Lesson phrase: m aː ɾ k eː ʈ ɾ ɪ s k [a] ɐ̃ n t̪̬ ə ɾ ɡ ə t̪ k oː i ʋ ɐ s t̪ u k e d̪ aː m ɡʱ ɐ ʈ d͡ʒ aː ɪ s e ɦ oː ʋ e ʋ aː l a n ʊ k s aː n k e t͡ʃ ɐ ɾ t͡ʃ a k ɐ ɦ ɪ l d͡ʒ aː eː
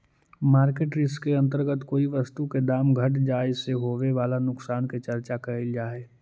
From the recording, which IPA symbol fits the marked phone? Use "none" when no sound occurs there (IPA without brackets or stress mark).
e